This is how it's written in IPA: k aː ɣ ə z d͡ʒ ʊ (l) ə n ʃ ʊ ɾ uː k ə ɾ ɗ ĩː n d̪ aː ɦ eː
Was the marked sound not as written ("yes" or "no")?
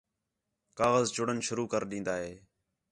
yes